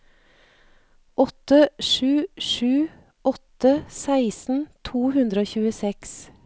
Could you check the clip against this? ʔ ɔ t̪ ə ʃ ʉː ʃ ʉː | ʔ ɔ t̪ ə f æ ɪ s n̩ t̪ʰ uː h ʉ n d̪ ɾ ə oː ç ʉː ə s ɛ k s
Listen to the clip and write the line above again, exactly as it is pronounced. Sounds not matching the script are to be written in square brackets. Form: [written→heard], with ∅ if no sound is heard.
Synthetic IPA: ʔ ɔ t̪ ə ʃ ʉː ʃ ʉː | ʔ ɔ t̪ ə [f→s] æ ɪ s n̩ t̪ʰ uː h ʉ n d̪ ɾ ə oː ç ʉː ə s ɛ k s

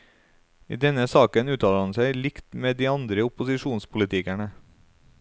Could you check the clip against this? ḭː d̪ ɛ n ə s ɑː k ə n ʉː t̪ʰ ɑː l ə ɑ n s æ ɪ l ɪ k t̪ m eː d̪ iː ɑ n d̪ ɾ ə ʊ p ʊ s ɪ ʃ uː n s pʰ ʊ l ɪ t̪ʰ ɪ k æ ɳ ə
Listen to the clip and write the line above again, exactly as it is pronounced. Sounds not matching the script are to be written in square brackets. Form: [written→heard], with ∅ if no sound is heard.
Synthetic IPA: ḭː d̪ ɛ n ə s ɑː k ə n ʉː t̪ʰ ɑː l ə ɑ n s æ ɪ l ɪ k t̪ m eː d̪ iː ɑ n d̪ ɾ ə ʊ p ʊ s ɪ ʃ uː n s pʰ ʊ l ɪ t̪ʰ ɪ k æ ɳ ə

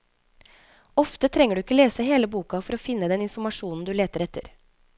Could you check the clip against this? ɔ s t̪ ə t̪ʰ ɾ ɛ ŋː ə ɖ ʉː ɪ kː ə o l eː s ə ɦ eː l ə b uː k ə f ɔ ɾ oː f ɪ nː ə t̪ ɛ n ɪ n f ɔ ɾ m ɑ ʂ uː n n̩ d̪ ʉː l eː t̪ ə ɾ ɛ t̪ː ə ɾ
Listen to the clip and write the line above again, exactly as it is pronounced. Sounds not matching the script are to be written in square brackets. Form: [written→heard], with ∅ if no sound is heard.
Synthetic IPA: ɔ [s→f] t̪ ə t̪ʰ ɾ ɛ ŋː ə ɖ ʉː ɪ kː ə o l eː s ə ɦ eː l ə b uː k [ə→ɑ] f ɔ ɾ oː f ɪ nː ə [t̪→d̪] ɛ n ɪ n f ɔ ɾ m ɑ ʂ uː n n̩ d̪ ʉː l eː t̪ ə ɾ ɛ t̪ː ə ɾ

